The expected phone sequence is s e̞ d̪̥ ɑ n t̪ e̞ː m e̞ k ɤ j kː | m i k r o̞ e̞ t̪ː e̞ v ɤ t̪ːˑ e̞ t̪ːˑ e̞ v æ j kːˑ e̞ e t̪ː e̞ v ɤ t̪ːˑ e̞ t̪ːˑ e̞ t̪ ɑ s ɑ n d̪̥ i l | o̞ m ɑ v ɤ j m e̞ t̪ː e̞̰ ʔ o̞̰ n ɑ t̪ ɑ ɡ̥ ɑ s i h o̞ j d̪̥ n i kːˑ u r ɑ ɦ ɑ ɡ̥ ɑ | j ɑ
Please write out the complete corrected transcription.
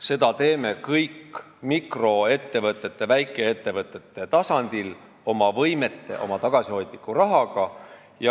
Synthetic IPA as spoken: s e̞ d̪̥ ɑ t̪ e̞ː m e̞ k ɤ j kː | m i k r o̞ e̞ t̪ː e̞ v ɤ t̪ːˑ e̞ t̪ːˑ e̞ v æ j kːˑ e̞ e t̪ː e̞ v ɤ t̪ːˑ e̞ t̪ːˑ e̞ t̪ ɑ s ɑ n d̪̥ i l | o̞ m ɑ v ɤ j m e̞ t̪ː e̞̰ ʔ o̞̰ m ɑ t̪ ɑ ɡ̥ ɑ s i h o̞ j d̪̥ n i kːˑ u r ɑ ɦ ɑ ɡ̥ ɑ | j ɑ